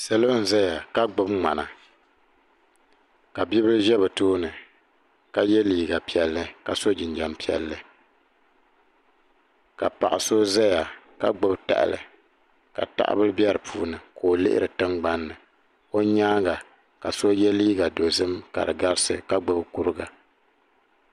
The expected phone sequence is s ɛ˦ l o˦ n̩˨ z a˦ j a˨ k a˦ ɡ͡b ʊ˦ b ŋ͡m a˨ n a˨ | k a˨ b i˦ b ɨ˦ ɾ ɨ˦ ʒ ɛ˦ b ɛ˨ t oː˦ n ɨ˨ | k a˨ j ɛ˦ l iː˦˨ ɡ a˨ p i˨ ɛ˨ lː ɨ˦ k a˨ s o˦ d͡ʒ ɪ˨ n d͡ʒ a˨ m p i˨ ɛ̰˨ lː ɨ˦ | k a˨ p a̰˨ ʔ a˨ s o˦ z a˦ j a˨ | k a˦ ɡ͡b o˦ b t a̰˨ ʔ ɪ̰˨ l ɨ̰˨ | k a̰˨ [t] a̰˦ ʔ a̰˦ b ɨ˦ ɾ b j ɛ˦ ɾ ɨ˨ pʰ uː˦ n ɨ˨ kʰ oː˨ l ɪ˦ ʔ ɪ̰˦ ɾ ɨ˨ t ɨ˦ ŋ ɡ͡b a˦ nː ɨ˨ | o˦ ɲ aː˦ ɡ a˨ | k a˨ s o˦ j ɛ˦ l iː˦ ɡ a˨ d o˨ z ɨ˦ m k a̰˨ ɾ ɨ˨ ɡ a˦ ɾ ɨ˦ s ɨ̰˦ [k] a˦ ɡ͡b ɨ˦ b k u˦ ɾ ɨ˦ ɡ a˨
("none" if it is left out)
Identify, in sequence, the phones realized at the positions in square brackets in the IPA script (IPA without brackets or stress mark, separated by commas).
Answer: t, k